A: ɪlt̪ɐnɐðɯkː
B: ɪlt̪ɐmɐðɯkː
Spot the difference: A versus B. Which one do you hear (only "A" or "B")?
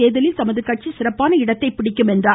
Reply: B